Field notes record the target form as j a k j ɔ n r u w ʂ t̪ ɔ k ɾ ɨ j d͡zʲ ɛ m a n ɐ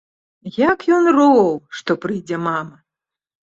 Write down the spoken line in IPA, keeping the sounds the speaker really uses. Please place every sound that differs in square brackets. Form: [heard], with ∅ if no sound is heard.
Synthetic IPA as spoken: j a k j ɔ n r [ɔ] w ʂ t̪ ɔ [p] ɾ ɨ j d͡zʲ ɛ m a [m] ɐ